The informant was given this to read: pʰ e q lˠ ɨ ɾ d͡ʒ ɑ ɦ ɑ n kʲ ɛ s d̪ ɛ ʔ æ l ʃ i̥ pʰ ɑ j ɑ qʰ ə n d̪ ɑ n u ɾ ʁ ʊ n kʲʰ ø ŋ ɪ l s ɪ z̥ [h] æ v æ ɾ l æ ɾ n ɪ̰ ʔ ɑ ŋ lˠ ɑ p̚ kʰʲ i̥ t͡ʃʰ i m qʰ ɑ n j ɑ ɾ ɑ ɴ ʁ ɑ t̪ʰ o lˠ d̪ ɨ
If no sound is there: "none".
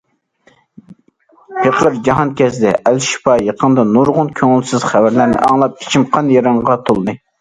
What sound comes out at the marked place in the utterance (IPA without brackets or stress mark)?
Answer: χ